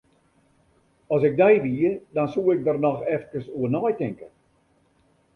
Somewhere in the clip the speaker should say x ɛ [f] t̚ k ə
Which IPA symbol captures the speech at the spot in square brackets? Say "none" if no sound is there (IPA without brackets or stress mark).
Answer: f